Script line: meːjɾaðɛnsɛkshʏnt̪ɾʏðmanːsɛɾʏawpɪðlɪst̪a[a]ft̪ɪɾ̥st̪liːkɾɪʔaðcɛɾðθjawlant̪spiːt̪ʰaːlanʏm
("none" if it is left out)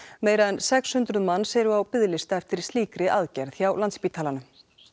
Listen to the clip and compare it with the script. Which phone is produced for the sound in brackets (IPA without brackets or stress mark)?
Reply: ɛ